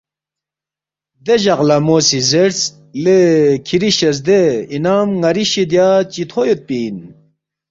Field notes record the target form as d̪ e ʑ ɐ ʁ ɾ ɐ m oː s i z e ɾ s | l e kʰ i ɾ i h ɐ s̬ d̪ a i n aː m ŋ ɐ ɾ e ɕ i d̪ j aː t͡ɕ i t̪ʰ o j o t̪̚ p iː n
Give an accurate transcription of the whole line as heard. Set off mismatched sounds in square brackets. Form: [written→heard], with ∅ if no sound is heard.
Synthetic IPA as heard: d̪ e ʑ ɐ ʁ [ɾ→l] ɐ m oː s i z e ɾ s | l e kʰ i ɾ i [h→ɕ] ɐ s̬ d̪ [a→e] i n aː m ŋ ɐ ɾ [e→i] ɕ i d̪ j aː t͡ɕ i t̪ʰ o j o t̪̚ p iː n